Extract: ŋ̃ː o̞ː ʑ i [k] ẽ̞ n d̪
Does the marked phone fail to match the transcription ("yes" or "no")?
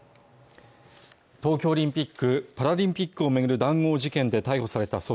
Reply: no